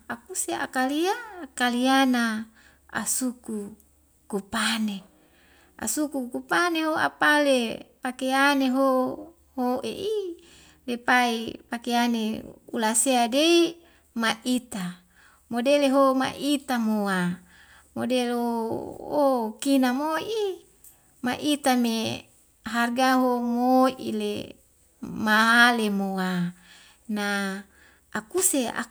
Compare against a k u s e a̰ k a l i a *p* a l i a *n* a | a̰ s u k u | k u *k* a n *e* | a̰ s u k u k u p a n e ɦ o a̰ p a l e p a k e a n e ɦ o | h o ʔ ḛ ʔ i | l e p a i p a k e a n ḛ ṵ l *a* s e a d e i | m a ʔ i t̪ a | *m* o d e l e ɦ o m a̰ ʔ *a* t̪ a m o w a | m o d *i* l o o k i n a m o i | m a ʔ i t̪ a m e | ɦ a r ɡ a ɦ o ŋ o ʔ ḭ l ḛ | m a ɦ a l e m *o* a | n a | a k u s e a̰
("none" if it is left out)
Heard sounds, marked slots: k, n, p, e, a, m, i, e, o

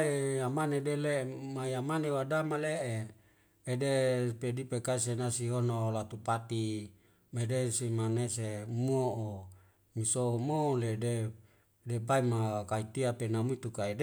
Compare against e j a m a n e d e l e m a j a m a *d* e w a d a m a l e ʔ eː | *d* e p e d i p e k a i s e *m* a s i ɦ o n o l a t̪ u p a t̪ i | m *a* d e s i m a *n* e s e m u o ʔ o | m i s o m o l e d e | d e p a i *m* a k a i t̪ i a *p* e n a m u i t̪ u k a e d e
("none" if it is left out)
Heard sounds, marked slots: n, d, n, e, n, m, p

